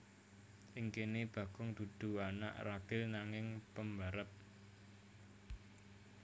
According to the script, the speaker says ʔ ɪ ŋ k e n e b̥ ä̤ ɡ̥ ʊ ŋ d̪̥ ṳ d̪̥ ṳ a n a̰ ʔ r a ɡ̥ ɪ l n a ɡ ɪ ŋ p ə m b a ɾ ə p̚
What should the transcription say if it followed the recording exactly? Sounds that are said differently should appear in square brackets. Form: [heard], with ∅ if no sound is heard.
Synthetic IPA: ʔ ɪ ŋ k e n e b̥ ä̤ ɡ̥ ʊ ŋ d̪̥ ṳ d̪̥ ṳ a n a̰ ʔ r a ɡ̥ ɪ l n a [ŋ] ɪ ŋ p ə m b a ɾ ə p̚